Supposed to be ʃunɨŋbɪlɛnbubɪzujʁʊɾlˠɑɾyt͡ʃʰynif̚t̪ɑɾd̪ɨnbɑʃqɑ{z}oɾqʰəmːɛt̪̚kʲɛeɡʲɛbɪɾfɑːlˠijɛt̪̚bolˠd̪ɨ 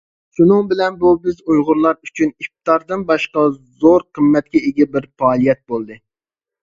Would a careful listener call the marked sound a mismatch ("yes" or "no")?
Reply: no